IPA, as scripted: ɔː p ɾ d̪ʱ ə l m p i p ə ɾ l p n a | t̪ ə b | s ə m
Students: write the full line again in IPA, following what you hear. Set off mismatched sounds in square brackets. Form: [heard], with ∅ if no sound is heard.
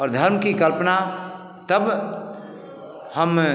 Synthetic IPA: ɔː [∅] ɾ d̪ʱ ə [ɾ] m [k] i [k] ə [∅] l p n a | t̪ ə b | [h] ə m

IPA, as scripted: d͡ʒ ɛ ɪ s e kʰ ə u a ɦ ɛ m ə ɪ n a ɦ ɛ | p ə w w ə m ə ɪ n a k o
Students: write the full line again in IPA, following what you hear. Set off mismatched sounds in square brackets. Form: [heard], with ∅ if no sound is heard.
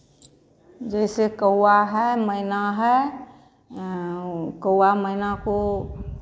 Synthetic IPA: d͡ʒ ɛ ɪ s e [k] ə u a ɦ ɛ m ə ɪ n a ɦ ɛ | [k] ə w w [a] m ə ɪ n a k o

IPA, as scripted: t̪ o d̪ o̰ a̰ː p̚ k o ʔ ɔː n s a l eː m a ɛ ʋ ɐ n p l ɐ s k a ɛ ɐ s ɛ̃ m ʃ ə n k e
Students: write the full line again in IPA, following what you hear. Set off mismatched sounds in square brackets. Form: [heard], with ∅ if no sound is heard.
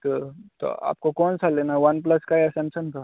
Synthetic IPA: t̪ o [t̪] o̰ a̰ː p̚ k o [k] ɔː n s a l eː [n] a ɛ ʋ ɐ n p l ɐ s k a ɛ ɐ s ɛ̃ m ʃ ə n k [a]

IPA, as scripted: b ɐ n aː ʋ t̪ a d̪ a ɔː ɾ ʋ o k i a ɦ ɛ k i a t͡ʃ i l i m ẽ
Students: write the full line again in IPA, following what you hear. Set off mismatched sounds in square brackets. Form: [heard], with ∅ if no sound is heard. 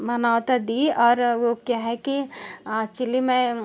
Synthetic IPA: [m] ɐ n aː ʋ t̪ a d̪ [i] ɔː ɾ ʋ o k [j] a ɦ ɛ k i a t͡ʃ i l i m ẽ

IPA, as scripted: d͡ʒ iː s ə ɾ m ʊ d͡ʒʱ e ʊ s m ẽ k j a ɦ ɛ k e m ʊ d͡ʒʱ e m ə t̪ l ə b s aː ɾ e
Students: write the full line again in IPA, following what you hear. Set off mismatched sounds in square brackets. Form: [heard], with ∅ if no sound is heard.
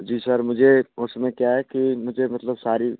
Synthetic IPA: d͡ʒ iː s ə ɾ m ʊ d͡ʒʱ e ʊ s m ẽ k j a ɦ ɛ k [i] m ʊ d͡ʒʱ e m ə t̪ l ə b s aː ɾ [i]

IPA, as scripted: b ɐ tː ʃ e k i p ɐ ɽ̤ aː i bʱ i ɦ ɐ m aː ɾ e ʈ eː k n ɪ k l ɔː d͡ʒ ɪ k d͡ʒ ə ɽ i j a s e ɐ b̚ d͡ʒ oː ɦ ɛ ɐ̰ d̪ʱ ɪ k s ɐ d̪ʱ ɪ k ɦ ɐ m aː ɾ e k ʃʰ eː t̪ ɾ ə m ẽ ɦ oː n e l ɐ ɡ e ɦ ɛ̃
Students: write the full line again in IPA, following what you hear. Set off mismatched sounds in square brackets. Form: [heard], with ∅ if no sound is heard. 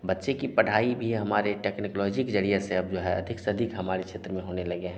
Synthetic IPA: b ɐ tː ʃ e k i p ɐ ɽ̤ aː i bʱ i ɦ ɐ m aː ɾ e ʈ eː k n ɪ k l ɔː d͡ʒ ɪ k d͡ʒ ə ɽ i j a s e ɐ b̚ d͡ʒ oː ɦ ɛ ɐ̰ d̪ʱ ɪ k s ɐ d̪ʱ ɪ k ɦ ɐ m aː ɾ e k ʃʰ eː t̪ ɾ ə m ẽ ɦ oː n e l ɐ ɡ e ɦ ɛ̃

